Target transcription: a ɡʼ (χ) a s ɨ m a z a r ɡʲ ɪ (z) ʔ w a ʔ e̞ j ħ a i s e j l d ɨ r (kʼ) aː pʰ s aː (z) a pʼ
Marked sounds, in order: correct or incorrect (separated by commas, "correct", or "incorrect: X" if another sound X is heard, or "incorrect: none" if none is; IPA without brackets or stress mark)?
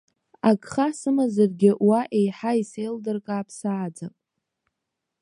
correct, incorrect: none, correct, incorrect: d͡z